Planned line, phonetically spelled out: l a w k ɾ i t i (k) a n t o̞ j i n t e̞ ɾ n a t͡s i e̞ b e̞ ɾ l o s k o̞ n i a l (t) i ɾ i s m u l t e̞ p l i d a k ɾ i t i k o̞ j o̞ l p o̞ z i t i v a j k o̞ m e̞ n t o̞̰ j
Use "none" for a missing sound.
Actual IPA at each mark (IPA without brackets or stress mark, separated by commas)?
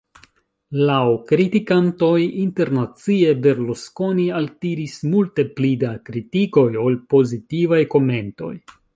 k, t